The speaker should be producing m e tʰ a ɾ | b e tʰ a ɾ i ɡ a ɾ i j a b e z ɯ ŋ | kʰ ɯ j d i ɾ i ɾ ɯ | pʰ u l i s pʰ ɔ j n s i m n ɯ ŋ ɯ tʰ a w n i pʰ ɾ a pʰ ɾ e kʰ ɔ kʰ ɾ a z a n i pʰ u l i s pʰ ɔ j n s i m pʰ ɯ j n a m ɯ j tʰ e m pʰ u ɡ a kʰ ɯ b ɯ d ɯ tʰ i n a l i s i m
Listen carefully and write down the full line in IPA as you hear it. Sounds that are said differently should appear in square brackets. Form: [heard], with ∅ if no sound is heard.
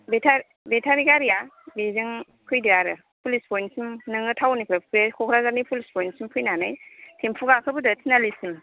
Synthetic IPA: [b] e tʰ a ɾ | b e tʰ a ɾ i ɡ a ɾ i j a b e z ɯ ŋ | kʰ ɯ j d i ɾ [a] ɾ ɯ | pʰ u l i s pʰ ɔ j n s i m n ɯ ŋ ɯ tʰ a w n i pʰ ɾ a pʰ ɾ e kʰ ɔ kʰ ɾ a z a n i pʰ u l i s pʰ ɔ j n s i m pʰ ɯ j n a [n] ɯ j tʰ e m pʰ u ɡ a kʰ ɯ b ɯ d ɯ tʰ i n a l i s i m